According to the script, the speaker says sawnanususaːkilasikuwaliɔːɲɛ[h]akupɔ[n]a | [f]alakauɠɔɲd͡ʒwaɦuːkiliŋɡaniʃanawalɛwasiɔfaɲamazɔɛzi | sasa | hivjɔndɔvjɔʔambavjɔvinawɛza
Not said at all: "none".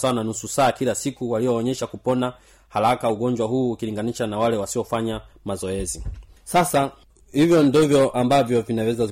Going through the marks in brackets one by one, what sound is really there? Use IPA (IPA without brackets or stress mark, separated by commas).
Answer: ʃ, n, h